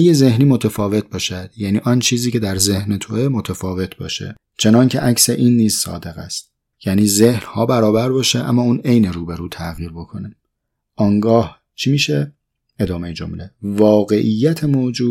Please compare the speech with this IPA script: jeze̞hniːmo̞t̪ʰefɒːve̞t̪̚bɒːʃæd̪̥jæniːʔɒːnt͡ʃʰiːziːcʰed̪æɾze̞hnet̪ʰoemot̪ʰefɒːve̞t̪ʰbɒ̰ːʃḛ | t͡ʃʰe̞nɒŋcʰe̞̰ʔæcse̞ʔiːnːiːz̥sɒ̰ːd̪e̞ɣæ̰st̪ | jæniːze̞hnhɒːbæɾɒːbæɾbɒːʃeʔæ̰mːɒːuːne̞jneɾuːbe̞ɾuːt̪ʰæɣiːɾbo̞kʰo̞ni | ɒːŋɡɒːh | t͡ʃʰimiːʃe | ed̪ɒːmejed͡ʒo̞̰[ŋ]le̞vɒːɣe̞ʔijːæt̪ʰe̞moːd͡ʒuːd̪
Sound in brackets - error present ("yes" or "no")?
yes